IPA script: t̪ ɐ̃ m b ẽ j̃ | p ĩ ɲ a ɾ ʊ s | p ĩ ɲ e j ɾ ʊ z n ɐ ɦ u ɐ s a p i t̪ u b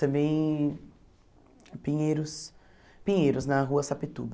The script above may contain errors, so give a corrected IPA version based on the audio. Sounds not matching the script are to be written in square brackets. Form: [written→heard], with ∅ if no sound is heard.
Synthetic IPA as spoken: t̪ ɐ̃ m b ẽ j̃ | p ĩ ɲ [a→e] ɾ ʊ s | p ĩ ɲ e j ɾ ʊ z n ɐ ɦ u ɐ s a p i t̪ u b